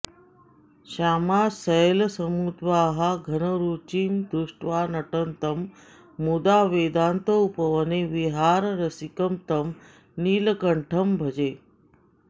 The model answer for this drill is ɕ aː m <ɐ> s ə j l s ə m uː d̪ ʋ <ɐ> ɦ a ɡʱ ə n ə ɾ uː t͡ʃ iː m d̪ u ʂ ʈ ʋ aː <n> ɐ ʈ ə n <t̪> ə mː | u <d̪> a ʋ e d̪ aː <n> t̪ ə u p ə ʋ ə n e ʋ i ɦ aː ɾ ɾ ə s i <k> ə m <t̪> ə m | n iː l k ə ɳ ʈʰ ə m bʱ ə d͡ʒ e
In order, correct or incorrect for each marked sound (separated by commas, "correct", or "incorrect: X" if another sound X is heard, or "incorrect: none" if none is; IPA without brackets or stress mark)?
incorrect: a, incorrect: a, correct, correct, correct, correct, correct, correct